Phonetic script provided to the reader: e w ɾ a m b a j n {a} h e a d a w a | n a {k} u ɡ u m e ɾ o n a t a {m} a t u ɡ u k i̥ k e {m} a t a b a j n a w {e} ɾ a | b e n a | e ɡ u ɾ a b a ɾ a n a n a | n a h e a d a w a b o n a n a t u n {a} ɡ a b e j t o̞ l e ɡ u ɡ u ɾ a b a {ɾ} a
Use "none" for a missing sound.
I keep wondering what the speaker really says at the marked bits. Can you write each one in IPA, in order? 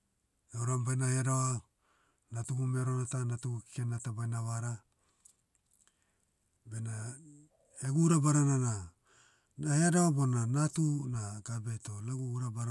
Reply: a, t, n, n, a, a, ɾ

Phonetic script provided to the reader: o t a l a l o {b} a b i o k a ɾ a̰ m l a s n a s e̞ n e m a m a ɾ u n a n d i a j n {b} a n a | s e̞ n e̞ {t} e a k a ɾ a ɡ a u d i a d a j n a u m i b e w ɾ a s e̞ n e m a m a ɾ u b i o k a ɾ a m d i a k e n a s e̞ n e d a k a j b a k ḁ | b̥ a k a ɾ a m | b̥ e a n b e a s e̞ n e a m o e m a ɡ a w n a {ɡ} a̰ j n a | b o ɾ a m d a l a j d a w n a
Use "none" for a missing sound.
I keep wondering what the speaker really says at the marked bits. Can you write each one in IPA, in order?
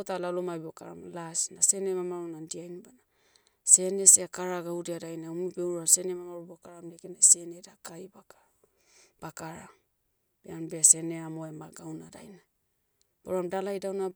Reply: m, b, s, d

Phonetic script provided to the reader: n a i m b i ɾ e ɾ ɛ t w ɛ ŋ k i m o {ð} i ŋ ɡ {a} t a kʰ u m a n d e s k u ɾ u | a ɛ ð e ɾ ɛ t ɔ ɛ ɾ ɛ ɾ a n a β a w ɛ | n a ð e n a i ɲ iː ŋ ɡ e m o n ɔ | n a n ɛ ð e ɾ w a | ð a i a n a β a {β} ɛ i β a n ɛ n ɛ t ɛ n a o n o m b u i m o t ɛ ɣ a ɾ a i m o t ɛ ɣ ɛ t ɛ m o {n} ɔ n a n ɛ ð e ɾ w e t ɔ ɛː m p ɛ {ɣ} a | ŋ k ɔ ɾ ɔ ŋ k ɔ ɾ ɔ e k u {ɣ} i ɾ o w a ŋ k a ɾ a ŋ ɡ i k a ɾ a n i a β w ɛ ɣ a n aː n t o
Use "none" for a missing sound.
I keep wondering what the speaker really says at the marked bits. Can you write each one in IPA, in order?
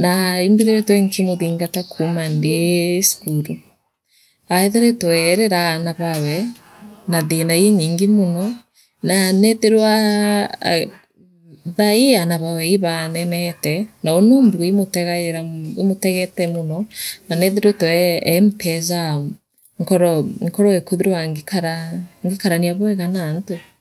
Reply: ð, a, w, n, z, ð

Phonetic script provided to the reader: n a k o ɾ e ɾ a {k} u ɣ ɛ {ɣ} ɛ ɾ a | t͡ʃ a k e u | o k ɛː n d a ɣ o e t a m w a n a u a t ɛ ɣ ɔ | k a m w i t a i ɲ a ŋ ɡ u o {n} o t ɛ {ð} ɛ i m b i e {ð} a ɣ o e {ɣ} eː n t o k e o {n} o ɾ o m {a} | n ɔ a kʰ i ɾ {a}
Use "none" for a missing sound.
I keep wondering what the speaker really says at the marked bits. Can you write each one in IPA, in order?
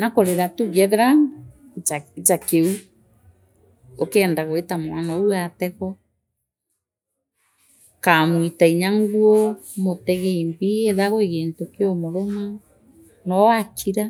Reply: t, ð, m, ɣ, ð, ɣ, m, a, a

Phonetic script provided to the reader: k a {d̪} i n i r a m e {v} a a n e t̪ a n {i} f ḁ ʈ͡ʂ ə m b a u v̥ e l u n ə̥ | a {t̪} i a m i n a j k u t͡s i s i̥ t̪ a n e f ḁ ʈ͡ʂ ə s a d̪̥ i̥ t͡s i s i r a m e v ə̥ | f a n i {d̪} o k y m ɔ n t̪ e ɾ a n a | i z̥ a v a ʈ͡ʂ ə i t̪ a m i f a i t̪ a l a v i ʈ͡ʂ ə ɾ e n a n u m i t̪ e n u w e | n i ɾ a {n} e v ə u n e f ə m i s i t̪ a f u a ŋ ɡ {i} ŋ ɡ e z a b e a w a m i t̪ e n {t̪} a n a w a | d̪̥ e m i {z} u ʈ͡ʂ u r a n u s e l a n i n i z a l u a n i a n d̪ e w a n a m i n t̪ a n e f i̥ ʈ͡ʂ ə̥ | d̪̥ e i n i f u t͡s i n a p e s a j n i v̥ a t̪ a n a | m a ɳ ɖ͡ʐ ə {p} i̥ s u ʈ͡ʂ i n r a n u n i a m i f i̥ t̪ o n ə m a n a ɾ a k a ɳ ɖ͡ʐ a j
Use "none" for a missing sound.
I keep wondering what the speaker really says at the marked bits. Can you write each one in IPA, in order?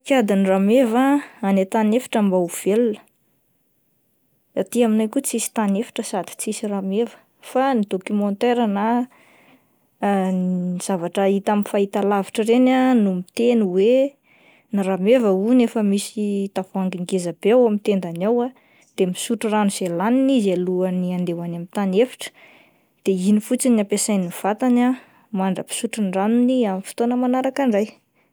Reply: d̪, v, e, t̪, d̪, m, i, d̪, s, p

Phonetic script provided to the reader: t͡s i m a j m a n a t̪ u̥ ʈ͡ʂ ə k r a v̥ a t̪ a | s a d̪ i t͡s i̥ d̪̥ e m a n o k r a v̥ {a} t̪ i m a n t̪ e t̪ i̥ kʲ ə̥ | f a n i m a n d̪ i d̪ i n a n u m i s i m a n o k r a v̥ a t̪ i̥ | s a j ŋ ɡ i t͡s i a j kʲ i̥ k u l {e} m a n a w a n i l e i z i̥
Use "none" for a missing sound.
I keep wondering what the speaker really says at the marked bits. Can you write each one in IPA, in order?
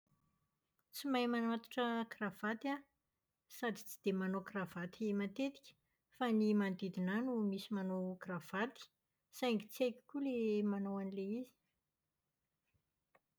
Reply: a, e

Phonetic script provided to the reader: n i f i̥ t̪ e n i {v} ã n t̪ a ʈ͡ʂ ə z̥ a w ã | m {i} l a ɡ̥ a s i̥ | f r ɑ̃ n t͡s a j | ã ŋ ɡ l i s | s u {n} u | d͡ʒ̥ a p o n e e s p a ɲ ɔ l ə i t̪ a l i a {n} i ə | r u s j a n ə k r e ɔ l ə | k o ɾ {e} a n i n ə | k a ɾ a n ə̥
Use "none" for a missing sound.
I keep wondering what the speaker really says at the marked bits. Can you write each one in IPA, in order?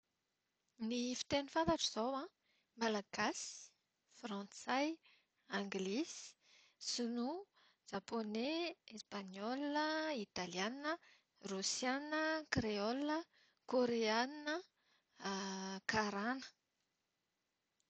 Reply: f, a, n, n, e

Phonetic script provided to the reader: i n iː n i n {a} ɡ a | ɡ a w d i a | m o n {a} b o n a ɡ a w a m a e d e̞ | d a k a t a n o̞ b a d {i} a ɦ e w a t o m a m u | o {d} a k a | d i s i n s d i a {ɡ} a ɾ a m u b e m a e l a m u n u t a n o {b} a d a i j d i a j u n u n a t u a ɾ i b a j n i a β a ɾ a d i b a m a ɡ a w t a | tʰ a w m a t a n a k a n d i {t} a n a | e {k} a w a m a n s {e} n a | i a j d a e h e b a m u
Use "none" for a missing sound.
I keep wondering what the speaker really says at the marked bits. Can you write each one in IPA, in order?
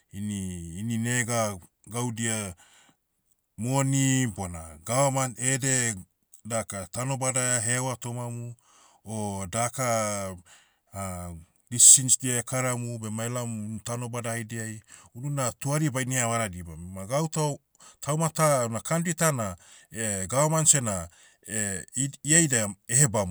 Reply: e, i, a, d, k, b, t, ɡ, e

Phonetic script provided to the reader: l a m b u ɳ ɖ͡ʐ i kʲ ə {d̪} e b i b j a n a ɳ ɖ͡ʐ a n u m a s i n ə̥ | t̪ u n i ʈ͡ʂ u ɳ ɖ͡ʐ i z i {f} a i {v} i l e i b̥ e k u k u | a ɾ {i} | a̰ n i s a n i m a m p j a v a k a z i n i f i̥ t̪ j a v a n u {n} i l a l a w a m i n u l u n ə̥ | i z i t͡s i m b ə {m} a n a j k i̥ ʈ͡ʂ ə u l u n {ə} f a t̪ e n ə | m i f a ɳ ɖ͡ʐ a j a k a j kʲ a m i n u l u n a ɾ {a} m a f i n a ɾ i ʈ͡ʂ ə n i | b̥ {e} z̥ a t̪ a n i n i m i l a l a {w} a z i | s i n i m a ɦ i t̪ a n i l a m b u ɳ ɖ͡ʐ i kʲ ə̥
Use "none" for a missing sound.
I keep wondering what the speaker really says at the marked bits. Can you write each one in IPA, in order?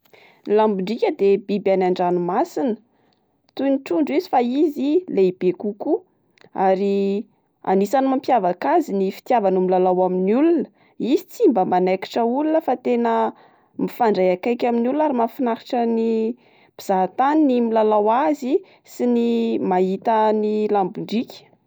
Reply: d̪, f, z, i, m, m, ə, i, i, w

